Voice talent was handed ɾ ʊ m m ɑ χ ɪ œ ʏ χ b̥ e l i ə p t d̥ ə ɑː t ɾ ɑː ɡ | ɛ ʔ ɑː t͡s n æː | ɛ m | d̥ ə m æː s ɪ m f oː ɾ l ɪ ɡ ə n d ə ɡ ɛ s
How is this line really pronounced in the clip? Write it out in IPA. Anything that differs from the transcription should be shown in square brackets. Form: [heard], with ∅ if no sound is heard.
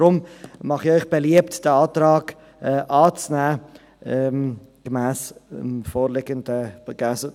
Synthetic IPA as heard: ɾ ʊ m m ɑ χ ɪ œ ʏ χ b̥ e l i ə p t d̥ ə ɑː t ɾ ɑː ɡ | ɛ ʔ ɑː t͡s n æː | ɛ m | [ɡ̥] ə m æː s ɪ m f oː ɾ l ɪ ɡ ə n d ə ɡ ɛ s

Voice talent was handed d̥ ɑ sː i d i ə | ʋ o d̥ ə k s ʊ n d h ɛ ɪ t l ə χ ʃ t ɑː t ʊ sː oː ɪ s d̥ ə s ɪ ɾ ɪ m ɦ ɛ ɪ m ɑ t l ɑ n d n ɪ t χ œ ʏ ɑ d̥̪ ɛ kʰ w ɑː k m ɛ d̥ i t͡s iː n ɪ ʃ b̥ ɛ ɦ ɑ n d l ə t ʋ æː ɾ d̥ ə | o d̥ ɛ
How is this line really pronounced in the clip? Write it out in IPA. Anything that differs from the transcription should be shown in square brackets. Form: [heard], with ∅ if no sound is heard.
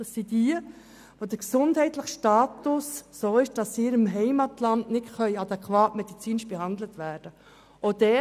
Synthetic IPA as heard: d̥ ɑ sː i d i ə | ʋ o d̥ ə k s ʊ n d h ɛ ɪ t l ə χ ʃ t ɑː t ʊ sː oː ɪ [ʃ] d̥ [ɑ] s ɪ ɾ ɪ m ɦ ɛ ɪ m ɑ t l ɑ n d n ɪ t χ œ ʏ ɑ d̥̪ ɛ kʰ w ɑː [t] m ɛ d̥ i t͡s iː n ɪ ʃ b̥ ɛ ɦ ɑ n d l ə t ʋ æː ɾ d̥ ə | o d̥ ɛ

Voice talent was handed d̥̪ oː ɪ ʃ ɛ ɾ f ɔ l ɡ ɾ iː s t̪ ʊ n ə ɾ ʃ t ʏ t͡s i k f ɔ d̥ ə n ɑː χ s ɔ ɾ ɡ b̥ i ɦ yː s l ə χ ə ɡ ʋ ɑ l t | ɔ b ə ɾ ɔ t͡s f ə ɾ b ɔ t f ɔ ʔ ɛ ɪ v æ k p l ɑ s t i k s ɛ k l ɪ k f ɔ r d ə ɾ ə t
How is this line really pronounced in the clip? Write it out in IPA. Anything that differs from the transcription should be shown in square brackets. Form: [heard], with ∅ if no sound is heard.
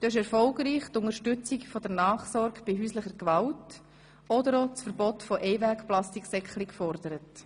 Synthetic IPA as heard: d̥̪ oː ɪ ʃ ɛ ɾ f ɔ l ɡ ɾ iː [χ] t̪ ʊ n ə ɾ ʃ t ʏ t͡s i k f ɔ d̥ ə n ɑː χ s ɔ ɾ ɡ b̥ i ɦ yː s l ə χ ə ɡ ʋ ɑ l t | ɔ [d] ə ɾ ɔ t͡s f ə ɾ b ɔ t f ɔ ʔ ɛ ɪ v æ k p l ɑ s t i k s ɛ k l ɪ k f ɔ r d ə ɾ ə t

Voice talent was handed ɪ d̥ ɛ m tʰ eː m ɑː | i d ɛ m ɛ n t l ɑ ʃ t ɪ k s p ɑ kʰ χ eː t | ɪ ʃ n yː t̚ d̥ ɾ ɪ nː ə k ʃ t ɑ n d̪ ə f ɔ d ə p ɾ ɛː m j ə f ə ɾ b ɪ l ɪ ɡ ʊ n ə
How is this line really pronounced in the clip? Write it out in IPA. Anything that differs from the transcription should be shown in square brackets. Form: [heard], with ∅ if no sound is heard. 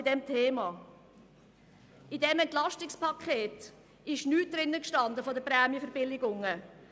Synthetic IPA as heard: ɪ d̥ ɛ m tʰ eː m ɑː | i d ɛ m ɛ n t l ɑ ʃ t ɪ k s p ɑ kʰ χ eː t | ɪ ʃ n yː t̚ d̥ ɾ ɪ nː ə k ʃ t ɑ n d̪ ə f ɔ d ə p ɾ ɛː m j ə f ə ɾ b ɪ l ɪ ɡ ʊ [ŋ] ə

